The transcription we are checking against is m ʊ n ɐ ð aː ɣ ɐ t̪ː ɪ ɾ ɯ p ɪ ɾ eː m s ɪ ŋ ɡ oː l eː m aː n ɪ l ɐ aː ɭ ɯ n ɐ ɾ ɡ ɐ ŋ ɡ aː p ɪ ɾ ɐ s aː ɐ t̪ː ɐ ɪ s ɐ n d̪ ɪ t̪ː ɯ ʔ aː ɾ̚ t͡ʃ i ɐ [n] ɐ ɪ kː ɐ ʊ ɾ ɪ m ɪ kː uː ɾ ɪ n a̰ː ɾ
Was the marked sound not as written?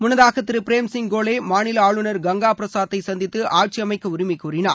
yes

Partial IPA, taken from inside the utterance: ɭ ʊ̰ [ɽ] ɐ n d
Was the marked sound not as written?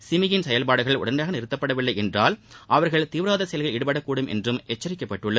no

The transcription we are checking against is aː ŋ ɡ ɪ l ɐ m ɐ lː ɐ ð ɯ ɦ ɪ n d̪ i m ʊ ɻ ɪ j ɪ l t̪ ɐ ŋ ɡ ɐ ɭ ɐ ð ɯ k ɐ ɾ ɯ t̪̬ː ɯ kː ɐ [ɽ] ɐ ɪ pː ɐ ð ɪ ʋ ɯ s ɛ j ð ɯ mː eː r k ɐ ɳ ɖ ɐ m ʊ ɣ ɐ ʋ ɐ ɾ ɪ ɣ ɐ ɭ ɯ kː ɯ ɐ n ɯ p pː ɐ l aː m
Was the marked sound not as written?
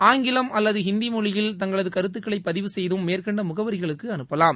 yes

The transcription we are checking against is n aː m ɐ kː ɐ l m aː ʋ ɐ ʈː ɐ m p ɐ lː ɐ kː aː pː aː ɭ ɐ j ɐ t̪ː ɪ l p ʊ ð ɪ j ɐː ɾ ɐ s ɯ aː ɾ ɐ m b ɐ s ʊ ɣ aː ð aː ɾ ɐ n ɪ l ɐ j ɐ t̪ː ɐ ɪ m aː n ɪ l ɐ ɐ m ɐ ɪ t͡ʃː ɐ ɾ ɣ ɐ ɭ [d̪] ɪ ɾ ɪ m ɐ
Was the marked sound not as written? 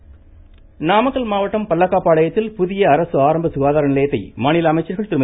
yes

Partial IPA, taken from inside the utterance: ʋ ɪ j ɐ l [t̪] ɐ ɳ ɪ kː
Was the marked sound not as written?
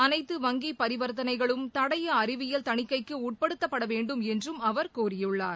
no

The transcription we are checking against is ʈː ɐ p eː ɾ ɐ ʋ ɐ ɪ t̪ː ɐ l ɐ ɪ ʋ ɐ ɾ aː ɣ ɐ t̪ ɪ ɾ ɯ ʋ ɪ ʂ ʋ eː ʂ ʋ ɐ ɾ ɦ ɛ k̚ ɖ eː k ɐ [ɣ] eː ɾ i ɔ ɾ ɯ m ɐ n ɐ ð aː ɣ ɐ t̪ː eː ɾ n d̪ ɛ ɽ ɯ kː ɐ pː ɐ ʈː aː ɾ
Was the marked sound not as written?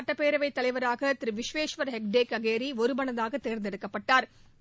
no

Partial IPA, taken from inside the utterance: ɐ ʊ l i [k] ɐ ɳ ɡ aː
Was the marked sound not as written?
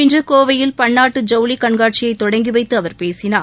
no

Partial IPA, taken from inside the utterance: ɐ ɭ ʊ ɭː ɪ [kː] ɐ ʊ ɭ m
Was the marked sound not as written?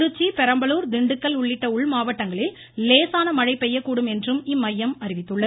yes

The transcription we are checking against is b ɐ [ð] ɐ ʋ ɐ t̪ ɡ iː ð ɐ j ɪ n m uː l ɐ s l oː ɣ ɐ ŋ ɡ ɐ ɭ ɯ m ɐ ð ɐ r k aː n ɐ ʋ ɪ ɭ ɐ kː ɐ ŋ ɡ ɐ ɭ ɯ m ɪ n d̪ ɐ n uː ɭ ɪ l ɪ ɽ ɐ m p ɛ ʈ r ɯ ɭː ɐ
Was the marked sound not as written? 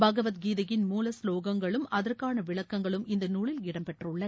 yes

